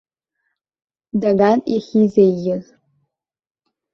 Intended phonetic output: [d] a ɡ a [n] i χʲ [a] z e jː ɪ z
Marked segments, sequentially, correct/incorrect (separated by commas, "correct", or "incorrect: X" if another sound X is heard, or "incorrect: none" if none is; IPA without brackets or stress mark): correct, correct, incorrect: i